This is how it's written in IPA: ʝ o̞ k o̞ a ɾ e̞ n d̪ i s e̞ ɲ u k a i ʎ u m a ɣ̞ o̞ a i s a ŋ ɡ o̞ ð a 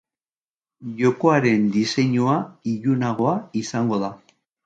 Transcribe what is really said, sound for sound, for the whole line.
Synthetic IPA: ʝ o̞ k o̞ a ɾ e̞ n d̪ i s e̞ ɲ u a i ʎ u n a ɣ̞ o̞ a i s a ŋ ɡ o̞ ð a